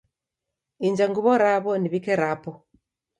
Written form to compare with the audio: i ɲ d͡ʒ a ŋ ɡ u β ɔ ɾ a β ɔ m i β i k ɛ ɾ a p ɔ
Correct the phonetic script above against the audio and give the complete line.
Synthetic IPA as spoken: i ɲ d͡ʒ a ŋ ɡ u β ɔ ɾ a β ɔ n i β i k ɛ ɾ a p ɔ